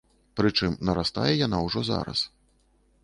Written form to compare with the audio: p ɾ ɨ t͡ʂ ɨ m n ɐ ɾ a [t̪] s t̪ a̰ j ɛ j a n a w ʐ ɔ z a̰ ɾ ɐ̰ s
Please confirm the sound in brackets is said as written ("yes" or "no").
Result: no